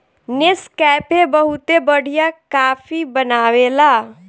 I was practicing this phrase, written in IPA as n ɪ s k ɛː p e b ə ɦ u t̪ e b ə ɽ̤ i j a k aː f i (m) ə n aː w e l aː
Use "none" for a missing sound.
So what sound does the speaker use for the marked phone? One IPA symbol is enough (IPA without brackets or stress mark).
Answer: b